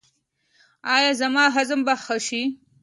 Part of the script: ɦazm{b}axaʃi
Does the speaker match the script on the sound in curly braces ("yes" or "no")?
yes